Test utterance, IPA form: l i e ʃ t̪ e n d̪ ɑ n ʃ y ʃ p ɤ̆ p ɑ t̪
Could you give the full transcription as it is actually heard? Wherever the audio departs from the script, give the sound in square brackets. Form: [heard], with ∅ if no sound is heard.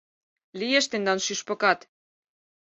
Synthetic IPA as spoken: l i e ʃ t̪ e n d̪ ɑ n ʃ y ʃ p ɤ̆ [k] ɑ t̪